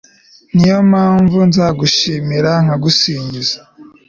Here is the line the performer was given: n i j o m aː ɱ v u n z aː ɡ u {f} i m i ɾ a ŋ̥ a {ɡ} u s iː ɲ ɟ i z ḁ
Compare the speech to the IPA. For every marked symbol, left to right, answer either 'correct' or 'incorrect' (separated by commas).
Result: incorrect, correct